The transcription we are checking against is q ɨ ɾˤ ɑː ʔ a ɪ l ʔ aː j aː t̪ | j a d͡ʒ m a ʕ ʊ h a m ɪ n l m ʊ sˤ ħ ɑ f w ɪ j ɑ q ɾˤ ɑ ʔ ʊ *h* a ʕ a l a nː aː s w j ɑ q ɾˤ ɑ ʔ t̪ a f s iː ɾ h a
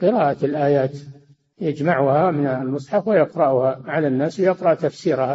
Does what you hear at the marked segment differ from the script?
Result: no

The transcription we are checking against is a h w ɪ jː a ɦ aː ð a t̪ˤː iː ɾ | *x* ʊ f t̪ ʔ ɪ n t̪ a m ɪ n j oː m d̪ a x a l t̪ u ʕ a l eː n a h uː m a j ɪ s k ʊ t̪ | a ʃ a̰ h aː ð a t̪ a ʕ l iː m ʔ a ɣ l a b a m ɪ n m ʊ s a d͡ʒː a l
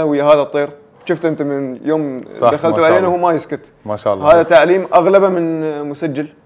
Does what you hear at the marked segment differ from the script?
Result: yes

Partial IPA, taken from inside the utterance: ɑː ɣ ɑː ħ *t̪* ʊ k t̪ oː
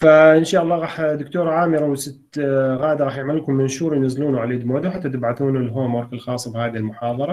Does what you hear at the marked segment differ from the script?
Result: yes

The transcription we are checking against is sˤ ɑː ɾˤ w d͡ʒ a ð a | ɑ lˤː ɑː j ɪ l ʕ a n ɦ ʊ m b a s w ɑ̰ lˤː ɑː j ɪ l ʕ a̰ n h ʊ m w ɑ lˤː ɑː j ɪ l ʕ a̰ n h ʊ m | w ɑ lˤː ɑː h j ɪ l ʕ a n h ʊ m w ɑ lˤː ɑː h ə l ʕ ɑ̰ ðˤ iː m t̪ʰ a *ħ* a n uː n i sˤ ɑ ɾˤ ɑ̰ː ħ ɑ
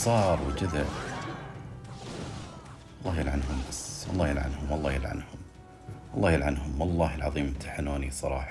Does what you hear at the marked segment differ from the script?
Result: no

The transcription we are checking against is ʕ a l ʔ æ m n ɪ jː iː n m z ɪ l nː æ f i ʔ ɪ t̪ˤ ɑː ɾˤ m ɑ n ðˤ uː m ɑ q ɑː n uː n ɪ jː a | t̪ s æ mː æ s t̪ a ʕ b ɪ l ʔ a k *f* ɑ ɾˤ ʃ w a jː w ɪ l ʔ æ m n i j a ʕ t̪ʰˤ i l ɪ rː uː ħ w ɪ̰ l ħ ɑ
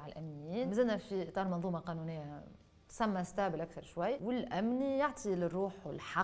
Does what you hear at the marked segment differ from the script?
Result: yes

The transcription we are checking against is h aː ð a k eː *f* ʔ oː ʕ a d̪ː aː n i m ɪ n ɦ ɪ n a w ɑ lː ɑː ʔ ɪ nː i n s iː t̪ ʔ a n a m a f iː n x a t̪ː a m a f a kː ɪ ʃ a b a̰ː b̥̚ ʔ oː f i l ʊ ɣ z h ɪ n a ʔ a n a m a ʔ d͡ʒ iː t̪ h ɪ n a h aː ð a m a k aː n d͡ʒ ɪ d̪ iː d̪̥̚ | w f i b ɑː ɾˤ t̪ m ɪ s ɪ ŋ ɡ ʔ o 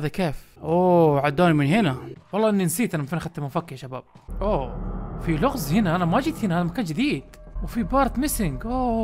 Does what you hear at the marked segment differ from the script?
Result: no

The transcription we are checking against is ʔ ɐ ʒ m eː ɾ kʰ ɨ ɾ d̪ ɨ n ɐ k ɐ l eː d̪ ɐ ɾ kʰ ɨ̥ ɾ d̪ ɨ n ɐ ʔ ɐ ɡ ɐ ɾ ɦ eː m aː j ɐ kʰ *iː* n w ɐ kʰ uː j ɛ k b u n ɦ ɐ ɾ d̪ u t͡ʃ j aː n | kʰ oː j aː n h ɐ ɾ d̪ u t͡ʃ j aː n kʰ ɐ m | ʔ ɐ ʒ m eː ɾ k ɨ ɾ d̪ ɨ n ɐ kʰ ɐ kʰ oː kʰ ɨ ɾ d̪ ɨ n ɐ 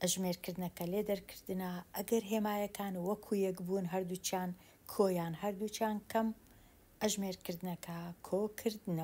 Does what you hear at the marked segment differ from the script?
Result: yes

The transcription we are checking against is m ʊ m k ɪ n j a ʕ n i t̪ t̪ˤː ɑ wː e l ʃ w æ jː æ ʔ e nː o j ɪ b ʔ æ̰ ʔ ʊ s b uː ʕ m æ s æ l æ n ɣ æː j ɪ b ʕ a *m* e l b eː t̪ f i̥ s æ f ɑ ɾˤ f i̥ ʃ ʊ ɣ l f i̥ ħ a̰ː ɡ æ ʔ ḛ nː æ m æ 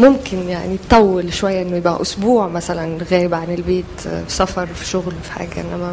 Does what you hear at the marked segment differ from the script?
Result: yes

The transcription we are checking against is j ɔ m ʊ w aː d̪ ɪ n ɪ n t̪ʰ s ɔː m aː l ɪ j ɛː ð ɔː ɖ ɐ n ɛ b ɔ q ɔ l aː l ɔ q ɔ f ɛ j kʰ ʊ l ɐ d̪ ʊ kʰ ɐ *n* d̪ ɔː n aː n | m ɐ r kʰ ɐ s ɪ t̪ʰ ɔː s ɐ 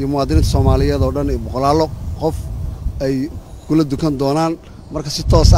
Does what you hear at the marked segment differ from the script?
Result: no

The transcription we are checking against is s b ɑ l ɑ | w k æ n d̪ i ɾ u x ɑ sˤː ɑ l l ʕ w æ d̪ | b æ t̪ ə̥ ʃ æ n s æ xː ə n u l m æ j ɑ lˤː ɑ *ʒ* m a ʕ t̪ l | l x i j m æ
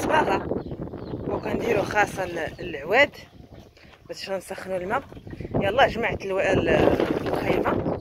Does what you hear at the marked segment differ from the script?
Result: no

